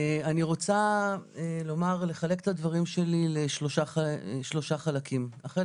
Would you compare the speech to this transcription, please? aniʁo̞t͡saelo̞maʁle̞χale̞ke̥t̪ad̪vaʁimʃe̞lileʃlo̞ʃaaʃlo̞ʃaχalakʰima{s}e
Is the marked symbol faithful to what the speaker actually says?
no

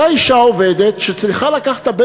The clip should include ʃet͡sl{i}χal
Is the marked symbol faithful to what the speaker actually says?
yes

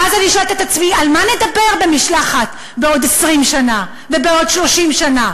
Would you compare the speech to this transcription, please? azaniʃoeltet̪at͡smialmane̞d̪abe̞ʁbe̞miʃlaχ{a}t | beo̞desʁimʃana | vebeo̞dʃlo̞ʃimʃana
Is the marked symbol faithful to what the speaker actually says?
yes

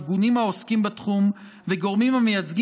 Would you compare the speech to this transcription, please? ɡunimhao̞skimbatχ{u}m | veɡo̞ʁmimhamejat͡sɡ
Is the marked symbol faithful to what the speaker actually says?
yes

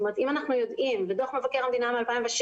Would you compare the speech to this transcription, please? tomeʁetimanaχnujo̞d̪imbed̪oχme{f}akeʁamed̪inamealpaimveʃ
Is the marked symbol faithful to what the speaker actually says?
no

